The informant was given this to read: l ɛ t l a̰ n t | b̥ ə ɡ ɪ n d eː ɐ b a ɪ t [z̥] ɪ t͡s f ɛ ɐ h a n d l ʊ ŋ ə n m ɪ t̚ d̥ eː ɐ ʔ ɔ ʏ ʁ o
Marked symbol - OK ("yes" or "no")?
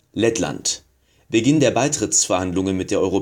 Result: no